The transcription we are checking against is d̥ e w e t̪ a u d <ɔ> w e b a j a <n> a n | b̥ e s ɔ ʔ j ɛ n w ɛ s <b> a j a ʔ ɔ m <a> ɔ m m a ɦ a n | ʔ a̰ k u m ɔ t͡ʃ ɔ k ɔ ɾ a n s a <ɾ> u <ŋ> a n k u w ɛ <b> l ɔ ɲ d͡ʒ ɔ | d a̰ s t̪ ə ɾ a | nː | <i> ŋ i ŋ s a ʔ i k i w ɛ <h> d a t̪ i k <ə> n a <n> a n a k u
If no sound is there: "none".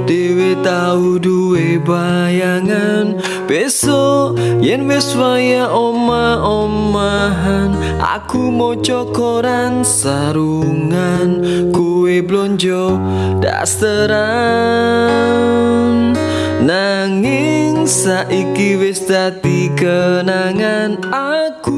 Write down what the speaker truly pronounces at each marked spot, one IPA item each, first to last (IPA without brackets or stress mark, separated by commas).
u, ŋ, w, a, ɾ, ŋ, b, a, s, ə, ŋ